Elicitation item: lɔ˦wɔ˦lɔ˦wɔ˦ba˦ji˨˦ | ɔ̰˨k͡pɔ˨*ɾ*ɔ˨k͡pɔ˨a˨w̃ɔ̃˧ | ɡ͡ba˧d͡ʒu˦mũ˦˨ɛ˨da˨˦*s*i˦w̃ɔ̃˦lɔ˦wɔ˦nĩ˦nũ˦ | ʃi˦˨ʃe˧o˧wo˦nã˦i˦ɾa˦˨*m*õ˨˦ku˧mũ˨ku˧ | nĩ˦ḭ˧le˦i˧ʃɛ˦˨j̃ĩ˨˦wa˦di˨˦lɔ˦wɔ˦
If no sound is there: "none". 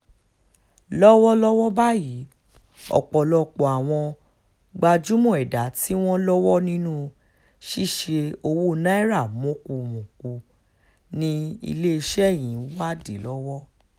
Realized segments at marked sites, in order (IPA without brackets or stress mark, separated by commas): l, t, m